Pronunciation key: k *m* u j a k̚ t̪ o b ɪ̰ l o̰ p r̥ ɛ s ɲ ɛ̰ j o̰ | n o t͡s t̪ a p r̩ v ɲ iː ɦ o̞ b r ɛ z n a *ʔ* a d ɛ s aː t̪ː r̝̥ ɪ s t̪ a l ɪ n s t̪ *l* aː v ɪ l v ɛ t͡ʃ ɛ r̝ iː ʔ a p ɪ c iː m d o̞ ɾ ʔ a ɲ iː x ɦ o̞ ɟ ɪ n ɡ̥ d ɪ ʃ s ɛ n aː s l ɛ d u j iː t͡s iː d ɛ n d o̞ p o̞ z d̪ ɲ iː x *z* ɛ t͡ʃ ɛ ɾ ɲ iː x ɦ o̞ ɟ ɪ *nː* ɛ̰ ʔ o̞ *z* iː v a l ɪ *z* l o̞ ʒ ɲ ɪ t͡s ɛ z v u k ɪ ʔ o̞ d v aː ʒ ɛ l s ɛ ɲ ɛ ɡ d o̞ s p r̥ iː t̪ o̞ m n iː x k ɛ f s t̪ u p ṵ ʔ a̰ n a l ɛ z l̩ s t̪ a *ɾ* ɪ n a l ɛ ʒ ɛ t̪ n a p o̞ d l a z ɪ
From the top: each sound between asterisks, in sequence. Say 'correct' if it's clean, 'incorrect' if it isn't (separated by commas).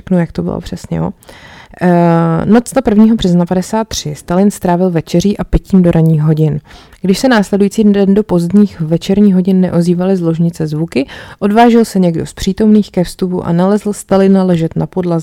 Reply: incorrect, incorrect, incorrect, incorrect, correct, correct, correct, incorrect